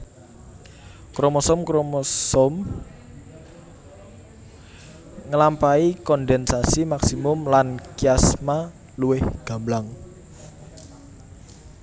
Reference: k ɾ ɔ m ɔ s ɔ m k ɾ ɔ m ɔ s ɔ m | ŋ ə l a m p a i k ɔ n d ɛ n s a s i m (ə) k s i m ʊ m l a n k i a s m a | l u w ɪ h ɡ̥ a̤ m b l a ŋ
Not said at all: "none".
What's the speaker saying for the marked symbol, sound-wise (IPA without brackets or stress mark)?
a